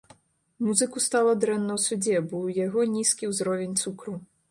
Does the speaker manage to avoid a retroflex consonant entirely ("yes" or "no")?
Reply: yes